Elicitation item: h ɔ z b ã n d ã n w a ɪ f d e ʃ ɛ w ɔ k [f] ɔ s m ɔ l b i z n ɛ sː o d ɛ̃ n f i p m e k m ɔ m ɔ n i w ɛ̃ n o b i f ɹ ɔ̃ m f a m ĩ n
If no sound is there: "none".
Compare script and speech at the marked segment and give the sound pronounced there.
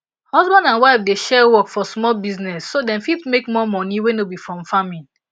f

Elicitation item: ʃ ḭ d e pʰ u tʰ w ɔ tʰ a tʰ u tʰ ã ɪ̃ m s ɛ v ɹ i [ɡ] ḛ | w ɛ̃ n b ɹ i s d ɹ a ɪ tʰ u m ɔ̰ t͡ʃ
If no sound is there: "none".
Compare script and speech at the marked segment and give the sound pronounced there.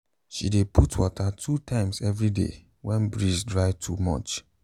d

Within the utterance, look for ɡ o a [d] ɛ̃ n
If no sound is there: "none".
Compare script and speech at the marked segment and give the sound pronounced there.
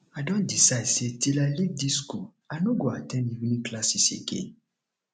t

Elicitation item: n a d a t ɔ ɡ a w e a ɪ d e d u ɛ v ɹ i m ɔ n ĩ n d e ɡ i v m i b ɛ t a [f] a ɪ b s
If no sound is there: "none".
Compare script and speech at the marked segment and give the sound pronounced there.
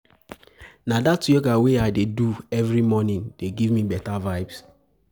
v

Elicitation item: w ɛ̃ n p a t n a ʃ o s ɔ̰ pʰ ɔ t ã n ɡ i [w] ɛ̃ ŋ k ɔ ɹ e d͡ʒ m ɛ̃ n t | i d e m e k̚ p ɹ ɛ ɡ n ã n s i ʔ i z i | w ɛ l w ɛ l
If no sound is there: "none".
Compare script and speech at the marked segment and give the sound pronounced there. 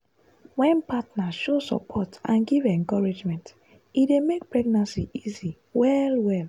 v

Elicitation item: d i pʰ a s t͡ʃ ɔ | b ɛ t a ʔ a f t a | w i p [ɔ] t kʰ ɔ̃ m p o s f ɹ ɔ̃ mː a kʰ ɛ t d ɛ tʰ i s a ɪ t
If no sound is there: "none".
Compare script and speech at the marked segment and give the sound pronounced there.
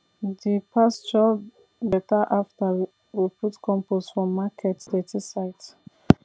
u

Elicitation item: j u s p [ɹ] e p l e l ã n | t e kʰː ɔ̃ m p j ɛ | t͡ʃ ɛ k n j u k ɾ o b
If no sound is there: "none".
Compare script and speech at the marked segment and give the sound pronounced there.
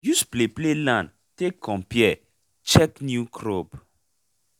l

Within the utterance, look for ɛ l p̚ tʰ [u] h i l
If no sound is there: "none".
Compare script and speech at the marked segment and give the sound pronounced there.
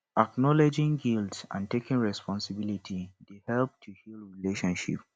u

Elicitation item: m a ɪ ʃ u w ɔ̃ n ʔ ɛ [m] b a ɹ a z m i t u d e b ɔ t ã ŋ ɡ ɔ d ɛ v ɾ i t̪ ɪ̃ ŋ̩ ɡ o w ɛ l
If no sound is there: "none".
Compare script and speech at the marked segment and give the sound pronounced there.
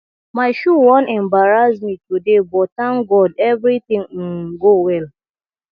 m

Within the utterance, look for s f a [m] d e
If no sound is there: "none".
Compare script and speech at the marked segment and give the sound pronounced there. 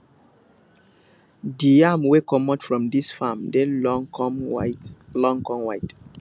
m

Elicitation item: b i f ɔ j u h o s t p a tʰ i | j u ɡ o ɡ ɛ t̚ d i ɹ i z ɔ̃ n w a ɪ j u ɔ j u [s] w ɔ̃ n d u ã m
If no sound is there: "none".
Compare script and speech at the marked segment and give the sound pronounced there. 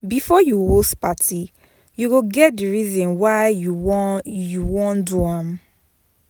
none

